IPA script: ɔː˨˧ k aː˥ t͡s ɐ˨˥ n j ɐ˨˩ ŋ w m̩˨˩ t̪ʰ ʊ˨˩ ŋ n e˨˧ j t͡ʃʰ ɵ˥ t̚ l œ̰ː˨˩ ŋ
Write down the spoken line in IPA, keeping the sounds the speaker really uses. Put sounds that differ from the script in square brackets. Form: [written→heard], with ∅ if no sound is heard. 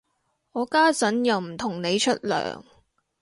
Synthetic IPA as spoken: ɔː˨˧ k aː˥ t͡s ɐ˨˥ n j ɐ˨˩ [ŋ→∅] w m̩˨˩ t̪ʰ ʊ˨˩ ŋ n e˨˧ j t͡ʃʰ ɵ˥ t̚ l œ̰ː˨˩ ŋ